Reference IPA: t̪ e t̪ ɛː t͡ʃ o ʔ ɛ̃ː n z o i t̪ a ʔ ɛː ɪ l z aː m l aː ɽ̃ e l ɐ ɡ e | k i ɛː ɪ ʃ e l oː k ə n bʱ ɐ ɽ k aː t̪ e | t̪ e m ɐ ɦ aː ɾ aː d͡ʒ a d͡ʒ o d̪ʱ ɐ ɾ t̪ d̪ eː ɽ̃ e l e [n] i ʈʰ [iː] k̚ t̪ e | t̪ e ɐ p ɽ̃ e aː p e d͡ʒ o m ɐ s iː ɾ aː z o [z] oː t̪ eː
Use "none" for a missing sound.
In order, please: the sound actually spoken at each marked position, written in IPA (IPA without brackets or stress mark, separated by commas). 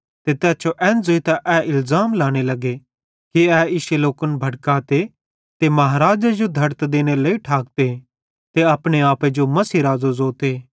none, aː, z